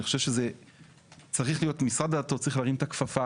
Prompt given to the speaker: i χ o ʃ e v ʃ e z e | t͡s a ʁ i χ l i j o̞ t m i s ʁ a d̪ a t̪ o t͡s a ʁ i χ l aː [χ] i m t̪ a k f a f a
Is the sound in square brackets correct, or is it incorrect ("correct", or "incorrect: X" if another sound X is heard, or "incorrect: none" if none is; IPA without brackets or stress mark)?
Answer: incorrect: ʁ